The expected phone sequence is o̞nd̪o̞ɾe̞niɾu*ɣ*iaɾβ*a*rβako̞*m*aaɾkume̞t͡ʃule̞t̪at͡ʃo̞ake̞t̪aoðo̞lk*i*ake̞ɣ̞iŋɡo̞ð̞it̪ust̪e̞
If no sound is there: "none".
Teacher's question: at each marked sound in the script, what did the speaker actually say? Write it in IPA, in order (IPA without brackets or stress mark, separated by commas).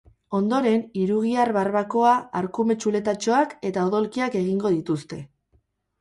ɣ, a, none, i